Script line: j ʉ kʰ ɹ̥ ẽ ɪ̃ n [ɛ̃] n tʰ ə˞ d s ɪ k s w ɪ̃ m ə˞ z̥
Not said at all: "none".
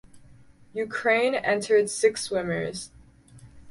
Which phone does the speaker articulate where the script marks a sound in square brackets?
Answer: ɛ̃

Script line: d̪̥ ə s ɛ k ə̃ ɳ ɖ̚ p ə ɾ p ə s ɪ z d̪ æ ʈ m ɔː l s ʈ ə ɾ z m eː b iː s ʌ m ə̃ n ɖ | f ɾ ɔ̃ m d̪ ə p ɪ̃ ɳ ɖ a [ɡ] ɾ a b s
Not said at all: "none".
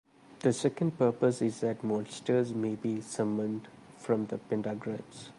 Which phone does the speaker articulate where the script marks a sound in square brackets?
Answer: ɡ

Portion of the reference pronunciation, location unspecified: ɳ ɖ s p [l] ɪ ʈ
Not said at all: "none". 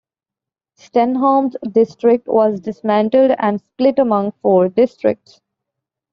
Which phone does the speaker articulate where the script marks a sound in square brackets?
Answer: l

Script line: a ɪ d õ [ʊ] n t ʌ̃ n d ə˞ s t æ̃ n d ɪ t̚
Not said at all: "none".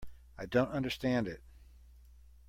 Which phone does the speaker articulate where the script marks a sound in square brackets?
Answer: ʊ̃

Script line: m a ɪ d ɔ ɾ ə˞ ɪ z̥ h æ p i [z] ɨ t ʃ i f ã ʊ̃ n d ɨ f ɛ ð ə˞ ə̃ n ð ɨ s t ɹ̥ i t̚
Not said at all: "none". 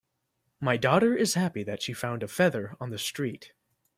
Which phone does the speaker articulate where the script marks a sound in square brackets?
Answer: ð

